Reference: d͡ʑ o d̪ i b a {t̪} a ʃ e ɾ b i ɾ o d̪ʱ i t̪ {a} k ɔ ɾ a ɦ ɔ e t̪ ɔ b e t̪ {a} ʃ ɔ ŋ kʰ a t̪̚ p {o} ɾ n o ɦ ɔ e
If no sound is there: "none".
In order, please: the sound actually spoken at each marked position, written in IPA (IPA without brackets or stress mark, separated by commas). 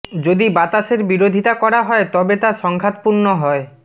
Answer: t̪, a, a, u